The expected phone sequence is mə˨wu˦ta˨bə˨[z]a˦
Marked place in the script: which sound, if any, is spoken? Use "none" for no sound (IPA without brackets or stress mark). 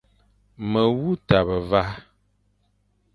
v